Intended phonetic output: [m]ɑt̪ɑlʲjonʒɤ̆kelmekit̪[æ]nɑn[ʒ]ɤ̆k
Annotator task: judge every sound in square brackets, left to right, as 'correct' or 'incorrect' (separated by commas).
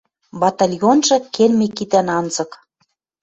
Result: incorrect, correct, incorrect